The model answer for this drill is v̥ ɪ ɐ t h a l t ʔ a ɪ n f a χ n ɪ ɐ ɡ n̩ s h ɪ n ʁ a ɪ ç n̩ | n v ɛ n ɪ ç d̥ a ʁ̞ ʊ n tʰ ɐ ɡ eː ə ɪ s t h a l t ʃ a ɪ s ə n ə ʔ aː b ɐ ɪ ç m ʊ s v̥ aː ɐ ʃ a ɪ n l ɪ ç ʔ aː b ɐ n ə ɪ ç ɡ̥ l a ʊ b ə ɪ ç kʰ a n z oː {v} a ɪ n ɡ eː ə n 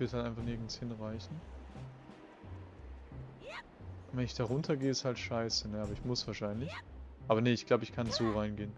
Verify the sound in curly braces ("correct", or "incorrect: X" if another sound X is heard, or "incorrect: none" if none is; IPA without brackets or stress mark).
incorrect: ʁ